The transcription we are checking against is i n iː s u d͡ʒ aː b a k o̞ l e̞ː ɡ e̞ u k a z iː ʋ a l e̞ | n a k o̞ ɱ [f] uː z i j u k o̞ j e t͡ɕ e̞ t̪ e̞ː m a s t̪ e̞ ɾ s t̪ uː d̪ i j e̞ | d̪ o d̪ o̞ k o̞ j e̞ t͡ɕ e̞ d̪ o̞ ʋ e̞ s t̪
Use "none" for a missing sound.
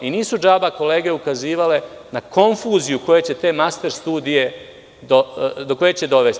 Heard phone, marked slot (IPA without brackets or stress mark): f